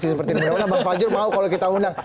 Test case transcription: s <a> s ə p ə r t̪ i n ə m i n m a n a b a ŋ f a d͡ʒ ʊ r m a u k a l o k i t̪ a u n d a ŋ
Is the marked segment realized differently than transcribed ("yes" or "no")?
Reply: yes